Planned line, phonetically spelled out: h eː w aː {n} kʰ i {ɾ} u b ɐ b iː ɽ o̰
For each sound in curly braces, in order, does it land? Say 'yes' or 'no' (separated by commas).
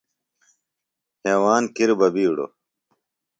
yes, yes